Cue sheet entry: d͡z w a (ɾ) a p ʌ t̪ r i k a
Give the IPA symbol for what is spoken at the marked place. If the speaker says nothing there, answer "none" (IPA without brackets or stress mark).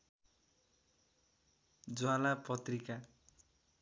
l